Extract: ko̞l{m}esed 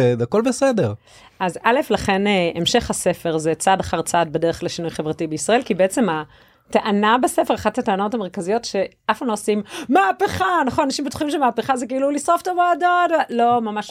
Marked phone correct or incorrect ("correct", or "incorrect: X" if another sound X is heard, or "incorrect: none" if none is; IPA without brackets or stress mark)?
incorrect: b